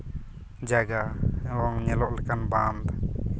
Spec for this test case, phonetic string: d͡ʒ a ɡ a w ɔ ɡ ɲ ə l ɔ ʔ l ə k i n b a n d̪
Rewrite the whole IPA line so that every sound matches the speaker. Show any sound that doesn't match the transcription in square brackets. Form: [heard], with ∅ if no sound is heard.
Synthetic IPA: d͡ʒ a ɡ a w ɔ [ŋ] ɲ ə l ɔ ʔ l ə k [a] n b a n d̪